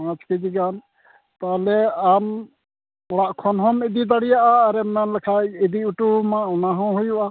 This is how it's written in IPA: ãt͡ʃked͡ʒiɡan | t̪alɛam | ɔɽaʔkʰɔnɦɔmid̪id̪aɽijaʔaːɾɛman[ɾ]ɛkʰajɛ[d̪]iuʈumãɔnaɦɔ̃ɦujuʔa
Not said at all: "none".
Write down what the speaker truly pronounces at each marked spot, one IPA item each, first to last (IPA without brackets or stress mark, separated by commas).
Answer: l, d̪